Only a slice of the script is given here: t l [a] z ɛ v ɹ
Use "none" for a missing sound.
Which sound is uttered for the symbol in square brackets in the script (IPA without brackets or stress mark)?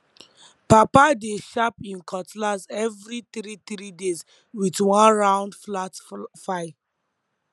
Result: a